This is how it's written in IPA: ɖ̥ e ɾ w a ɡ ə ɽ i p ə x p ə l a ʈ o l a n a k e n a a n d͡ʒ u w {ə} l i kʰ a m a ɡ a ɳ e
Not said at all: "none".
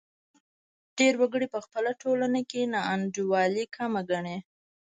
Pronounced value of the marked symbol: ɑ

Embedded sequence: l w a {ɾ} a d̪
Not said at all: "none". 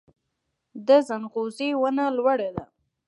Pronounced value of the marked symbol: ɽ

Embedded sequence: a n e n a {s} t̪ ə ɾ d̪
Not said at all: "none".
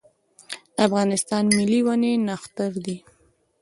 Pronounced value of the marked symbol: x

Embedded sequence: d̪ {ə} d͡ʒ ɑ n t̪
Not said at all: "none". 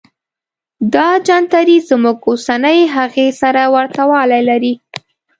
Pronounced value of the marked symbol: ɑ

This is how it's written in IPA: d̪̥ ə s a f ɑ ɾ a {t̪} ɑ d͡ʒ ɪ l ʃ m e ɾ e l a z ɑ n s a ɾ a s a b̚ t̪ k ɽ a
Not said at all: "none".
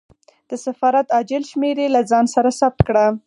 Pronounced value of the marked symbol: t̪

